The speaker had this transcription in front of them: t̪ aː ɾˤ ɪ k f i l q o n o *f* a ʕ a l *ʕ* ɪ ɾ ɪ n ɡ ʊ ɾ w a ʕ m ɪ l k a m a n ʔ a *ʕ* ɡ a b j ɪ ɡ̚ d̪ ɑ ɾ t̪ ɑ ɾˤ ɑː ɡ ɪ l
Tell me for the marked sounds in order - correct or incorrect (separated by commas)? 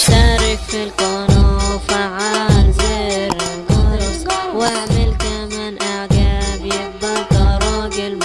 correct, incorrect, correct